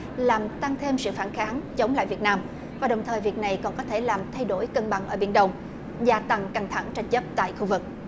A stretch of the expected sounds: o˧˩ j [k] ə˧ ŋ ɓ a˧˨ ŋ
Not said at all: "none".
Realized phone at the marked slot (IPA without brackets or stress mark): k